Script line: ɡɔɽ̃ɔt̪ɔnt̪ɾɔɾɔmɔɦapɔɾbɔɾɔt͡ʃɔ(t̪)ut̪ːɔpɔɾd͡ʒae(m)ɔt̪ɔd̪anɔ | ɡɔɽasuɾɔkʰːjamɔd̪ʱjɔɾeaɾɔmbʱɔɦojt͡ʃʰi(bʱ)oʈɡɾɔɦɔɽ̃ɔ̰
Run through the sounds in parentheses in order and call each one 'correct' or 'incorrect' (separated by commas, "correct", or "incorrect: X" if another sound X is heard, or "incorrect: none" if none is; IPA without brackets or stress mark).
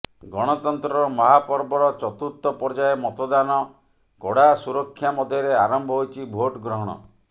correct, correct, correct